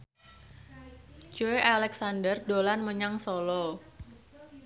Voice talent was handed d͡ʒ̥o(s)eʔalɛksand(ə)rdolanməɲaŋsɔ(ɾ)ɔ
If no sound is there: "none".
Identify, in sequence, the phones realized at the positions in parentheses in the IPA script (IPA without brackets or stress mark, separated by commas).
none, ə, l